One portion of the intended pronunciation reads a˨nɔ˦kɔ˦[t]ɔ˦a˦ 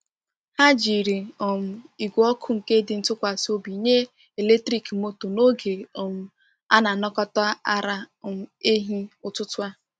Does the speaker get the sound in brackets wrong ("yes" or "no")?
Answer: no